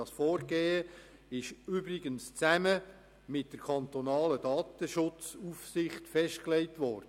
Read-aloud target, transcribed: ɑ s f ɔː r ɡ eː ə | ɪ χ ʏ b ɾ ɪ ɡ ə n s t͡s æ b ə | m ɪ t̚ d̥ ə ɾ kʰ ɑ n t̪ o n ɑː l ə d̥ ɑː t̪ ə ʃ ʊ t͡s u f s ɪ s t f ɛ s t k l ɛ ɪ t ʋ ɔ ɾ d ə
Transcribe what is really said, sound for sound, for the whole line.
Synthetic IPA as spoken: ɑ s f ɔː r ɡ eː ə | ɪ ʃ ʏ b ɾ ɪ ɡ ə n s t͡s æ m ə | m ɪ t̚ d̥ ə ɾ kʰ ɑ n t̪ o n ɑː l ə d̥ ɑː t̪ ə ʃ ʊ t͡s u f s ɪ χ t f ɛ ʃ t k l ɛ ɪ t ʋ ɔ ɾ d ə